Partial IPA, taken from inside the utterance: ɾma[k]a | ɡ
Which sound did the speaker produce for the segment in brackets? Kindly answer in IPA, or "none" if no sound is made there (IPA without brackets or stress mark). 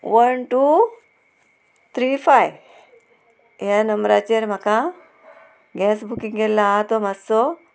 k